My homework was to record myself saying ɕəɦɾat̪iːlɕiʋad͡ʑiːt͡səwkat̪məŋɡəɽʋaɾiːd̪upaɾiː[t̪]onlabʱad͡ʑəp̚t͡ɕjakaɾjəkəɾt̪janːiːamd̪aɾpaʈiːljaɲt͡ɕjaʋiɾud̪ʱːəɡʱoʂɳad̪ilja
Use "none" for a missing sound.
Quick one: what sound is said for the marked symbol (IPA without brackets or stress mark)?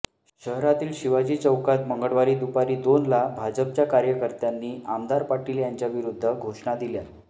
d̪